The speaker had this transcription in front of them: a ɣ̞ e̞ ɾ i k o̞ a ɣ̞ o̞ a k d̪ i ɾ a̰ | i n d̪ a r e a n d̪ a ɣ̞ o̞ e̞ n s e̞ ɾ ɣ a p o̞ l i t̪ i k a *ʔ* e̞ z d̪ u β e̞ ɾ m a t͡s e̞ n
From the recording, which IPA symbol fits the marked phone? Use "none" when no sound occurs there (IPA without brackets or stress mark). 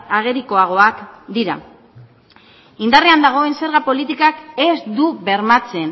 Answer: k